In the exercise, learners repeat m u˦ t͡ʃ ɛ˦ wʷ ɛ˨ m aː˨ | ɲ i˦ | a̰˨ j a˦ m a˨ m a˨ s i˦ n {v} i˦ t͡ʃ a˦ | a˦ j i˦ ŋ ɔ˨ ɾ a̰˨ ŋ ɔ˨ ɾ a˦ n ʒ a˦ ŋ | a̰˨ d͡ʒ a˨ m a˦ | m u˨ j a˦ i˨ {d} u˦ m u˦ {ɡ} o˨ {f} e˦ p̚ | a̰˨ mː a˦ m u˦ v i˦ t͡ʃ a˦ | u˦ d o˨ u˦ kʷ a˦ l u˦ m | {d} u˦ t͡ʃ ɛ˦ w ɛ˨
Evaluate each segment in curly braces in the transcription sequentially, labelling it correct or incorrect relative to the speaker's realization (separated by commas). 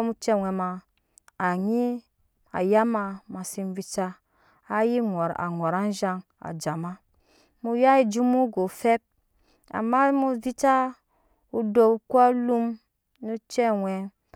correct, incorrect, correct, correct, incorrect